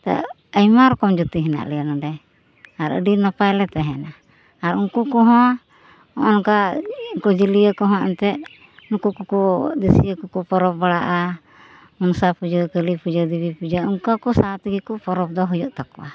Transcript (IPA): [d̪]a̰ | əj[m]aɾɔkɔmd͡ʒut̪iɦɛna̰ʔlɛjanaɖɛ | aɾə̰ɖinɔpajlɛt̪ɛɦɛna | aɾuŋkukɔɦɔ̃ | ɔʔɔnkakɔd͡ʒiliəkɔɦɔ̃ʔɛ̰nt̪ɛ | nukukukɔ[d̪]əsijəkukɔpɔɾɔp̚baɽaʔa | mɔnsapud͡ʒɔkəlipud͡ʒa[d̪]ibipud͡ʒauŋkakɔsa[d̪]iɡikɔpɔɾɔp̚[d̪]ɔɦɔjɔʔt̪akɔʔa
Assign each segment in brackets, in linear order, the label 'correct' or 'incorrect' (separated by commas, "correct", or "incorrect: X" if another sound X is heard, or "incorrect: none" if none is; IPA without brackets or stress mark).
incorrect: t̪, correct, correct, correct, incorrect: t̪, correct